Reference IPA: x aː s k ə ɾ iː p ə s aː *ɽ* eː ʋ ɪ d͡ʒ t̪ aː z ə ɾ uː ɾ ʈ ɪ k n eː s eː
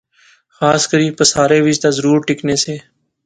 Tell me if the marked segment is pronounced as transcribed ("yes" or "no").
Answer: no